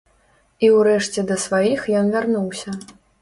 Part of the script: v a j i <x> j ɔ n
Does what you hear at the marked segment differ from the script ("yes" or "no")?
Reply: no